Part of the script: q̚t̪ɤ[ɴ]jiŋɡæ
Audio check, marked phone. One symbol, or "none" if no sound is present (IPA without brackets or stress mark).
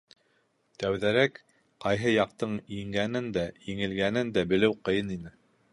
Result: ɴ